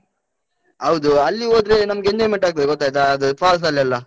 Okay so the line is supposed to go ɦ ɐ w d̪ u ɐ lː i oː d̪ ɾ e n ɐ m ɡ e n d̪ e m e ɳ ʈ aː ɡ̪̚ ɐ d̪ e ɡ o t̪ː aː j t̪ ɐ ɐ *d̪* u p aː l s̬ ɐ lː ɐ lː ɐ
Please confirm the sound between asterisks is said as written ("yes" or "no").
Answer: yes